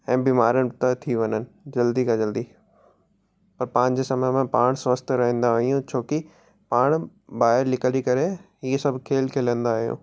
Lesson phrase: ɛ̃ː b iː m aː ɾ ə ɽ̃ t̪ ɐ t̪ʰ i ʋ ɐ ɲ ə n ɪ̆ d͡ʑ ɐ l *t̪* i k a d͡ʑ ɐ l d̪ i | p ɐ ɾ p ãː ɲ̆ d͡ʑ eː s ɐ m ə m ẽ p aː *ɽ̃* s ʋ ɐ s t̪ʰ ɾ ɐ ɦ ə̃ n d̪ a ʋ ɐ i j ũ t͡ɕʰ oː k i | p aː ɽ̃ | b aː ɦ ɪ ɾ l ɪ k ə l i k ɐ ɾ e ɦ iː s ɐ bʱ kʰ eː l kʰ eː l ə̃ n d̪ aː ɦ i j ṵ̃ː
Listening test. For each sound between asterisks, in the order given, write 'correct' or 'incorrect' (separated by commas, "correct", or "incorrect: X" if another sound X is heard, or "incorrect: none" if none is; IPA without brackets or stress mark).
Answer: incorrect: d̪, correct